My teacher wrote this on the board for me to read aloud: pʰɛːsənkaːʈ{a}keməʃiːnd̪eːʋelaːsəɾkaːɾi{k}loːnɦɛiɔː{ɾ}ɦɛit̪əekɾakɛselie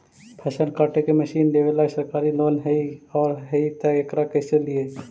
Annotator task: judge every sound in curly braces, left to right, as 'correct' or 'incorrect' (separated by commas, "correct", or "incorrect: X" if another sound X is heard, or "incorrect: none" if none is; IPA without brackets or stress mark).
incorrect: e, incorrect: none, correct